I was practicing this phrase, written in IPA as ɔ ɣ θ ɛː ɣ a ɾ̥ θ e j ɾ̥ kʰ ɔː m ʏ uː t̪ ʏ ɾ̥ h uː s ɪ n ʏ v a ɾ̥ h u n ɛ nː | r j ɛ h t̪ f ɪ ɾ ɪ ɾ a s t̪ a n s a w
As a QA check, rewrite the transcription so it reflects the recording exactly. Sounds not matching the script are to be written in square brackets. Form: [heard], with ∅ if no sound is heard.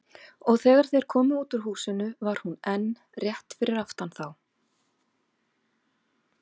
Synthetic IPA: ɔ ɣ θ ɛː ɣ a ɾ̥ θ e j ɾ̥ kʰ ɔː m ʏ uː t̪ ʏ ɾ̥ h uː s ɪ n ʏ v a ɾ̥ h u n ɛ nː | r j ɛ h t̪ f ɪ ɾ ɪ ɾ a [f] t̪ a n [θ] a w